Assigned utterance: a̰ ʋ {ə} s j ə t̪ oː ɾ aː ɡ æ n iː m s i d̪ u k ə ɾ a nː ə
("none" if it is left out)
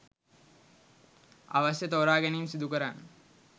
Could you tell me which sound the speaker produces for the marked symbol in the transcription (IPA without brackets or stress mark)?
a